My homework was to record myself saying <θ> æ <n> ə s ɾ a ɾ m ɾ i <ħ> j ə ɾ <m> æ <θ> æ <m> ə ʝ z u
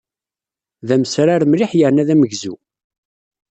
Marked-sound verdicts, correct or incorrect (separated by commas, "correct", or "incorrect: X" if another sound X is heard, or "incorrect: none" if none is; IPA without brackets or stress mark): incorrect: ð, incorrect: m, correct, incorrect: n, incorrect: ð, correct